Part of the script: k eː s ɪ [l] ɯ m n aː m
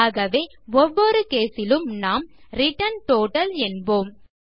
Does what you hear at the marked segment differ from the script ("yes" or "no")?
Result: no